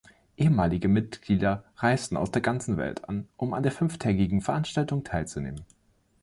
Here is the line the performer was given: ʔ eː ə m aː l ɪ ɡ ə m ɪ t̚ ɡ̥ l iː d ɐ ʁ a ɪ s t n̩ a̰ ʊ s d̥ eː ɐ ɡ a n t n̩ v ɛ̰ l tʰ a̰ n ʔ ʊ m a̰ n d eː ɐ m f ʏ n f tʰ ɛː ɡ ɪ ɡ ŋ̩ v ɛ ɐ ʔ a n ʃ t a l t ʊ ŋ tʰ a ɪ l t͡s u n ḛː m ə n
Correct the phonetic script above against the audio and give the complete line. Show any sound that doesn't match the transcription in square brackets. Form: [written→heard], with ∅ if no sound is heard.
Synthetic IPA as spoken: ʔ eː ə m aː l ɪ ɡ ə m ɪ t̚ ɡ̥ l iː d ɐ ʁ a ɪ s t n̩ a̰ ʊ s d̥ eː ɐ ɡ a n [t→t͡s] n̩ v ɛ̰ l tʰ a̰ n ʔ ʊ m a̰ n d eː ɐ [m→∅] f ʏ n f tʰ ɛː ɡ ɪ ɡ ŋ̩ [v→f] ɛ ɐ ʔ a n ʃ t a l t ʊ ŋ tʰ a ɪ l t͡s u n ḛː m ə n